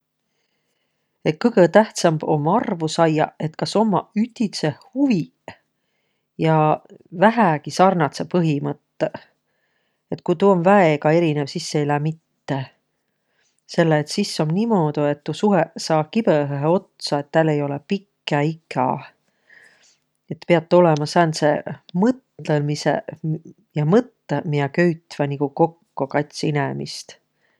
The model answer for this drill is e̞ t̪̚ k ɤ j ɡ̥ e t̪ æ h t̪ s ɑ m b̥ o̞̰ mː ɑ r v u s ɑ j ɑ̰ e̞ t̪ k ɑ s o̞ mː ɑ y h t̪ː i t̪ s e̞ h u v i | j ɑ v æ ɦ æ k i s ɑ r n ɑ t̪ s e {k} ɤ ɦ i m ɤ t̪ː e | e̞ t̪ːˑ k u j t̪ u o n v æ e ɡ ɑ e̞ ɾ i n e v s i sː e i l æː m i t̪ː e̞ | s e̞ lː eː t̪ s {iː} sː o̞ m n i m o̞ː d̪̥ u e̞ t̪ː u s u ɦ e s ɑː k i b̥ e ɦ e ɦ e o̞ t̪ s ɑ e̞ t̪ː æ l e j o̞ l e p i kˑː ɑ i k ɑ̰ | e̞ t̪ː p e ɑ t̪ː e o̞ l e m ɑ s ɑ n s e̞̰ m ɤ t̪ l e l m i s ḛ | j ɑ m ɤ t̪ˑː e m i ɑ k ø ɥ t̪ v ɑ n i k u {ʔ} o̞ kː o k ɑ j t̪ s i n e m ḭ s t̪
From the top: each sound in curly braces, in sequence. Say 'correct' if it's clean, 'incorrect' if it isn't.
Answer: incorrect: p, incorrect: i, incorrect: k

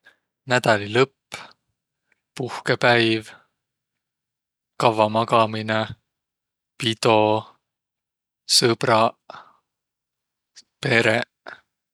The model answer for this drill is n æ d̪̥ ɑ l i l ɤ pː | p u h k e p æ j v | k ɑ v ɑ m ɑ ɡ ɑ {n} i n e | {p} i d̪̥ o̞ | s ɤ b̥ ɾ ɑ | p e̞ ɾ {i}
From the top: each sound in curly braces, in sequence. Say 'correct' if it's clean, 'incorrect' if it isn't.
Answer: incorrect: m, correct, incorrect: e

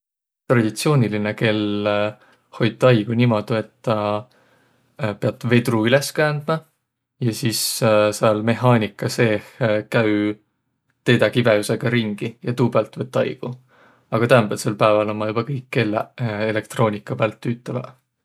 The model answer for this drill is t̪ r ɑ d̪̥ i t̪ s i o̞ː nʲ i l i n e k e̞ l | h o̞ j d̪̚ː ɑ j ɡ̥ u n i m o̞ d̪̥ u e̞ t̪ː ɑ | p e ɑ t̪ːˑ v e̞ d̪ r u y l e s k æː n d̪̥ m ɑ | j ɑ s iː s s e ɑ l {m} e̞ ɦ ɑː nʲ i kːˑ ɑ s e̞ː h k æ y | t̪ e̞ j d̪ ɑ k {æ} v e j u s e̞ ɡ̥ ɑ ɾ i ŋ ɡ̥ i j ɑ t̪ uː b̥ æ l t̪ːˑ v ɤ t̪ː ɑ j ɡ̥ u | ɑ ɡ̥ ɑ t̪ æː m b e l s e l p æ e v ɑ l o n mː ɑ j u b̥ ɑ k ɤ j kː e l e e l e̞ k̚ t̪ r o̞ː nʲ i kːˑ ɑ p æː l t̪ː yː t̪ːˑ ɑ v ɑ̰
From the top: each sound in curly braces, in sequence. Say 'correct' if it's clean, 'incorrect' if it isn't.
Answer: correct, incorrect: i

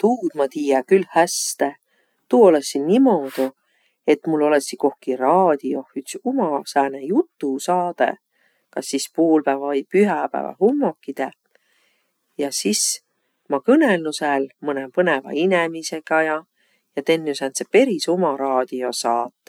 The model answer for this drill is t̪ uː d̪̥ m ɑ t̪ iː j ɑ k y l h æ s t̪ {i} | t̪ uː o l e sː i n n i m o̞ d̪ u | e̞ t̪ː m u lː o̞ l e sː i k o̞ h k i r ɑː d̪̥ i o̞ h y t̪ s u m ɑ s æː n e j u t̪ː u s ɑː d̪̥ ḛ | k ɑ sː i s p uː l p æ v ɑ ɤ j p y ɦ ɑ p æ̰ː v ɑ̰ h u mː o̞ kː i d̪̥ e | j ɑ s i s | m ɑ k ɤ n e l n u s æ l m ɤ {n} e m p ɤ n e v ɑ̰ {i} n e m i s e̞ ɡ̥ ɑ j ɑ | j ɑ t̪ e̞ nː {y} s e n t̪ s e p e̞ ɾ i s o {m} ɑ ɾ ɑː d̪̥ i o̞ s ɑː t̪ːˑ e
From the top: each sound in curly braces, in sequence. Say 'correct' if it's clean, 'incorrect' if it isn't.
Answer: incorrect: e, correct, correct, correct, correct

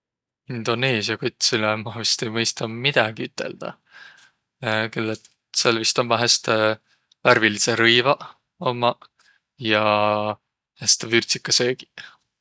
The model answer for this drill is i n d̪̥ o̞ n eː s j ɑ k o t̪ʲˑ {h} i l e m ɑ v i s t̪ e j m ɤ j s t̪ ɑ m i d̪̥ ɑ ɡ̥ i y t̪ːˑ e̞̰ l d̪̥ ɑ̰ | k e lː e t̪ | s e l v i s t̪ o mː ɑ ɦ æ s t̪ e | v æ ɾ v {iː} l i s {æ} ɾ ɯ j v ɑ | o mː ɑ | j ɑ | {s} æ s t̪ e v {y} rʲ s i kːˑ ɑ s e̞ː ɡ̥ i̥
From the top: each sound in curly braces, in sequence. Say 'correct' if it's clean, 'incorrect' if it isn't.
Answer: incorrect: s, incorrect: i, incorrect: e, incorrect: h, correct

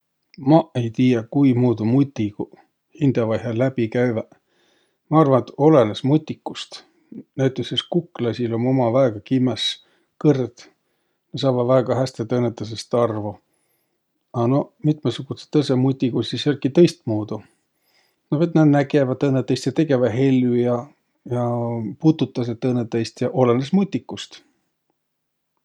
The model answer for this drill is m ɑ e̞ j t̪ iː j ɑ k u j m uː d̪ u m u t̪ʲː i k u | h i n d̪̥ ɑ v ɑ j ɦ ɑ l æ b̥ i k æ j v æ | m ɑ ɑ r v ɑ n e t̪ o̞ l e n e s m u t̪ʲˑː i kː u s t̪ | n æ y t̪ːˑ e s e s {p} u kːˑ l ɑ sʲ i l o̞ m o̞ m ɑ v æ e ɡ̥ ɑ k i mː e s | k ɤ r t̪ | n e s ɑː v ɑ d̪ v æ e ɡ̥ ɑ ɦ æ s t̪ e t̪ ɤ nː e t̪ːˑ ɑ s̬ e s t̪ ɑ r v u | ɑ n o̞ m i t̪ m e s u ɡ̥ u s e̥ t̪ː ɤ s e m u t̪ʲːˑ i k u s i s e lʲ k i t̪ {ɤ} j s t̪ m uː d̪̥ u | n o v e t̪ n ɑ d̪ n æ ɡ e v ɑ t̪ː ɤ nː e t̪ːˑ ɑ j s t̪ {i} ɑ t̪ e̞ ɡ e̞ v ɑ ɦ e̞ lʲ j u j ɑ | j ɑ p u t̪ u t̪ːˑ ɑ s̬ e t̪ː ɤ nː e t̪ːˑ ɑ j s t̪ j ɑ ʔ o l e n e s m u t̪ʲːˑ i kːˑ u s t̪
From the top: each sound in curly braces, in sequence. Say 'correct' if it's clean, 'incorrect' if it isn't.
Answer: incorrect: k, correct, incorrect: j

